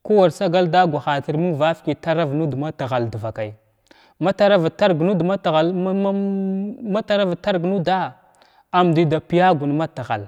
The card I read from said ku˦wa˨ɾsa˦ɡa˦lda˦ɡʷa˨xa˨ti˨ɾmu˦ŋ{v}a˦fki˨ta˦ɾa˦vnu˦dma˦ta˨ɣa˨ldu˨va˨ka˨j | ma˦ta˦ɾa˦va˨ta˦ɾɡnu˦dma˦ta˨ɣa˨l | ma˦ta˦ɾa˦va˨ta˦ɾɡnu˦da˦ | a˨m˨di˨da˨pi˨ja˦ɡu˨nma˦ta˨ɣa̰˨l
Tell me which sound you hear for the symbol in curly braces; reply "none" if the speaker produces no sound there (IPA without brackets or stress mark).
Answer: v